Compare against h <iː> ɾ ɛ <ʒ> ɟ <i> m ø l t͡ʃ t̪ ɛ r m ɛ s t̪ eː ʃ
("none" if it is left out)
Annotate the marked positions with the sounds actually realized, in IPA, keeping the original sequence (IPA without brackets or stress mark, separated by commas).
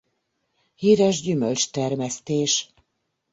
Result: iː, ʒ, y